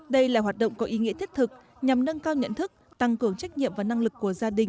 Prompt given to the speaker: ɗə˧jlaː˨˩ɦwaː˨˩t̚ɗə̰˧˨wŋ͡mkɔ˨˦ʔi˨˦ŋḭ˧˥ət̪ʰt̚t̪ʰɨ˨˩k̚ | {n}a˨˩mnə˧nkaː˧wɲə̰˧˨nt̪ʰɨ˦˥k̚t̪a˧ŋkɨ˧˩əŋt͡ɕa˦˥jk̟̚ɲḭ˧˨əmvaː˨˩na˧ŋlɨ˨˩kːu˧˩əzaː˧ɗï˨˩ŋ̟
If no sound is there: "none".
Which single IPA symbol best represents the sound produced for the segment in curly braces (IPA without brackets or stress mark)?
ɲ